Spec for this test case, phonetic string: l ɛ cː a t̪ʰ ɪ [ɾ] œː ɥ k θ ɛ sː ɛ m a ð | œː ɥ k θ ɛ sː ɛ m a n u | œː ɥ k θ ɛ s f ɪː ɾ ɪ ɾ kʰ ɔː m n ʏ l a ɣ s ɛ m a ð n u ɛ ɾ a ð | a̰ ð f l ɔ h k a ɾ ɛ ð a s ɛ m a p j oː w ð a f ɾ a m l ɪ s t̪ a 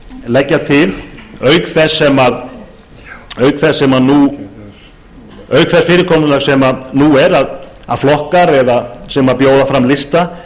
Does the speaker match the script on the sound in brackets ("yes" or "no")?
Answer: no